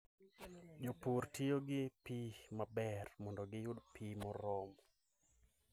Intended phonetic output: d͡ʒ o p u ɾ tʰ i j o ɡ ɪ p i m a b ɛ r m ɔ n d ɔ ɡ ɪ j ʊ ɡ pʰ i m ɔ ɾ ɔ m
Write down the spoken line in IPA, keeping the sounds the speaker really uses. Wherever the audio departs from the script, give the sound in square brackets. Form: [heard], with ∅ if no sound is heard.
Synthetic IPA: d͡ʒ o p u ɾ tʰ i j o ɡ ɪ p i m a b ɛ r m ɔ n d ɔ ɡ ɪ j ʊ [d] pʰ i m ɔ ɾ ɔ m